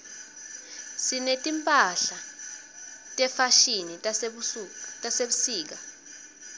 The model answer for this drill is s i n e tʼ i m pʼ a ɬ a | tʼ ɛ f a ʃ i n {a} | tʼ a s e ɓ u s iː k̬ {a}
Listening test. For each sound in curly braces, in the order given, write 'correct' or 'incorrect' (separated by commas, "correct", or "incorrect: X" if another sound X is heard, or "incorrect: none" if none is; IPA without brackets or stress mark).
incorrect: i, correct